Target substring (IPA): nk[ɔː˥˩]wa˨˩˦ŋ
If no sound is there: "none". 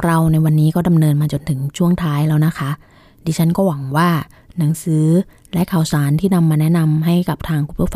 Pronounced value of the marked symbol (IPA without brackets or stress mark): ɔː˥˩